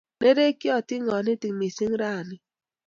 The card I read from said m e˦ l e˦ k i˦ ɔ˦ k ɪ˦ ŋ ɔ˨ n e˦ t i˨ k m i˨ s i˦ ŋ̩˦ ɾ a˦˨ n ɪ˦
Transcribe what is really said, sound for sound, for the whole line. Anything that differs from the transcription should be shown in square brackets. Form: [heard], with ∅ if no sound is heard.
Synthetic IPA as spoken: [n] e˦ [ɾ] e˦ k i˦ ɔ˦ [t] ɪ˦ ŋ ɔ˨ n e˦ t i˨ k m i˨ s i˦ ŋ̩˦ ɾ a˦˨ n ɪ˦